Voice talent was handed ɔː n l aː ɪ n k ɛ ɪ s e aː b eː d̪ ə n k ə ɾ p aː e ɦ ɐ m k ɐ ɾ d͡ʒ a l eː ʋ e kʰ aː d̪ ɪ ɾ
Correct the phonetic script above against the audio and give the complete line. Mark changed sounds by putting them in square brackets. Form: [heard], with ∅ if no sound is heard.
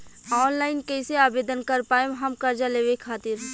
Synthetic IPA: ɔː n l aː ɪ n k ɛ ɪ s e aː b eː d̪ ə n k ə ɾ p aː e ɦ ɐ m k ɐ ɾ d͡ʒ a l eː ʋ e kʰ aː [t̪] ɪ ɾ